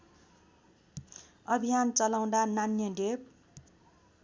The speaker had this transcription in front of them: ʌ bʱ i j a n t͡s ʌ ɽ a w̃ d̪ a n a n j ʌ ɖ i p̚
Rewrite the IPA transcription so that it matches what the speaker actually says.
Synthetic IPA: ʌ bʱ i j a n t͡s ʌ l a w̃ d̪ a n a n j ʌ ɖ e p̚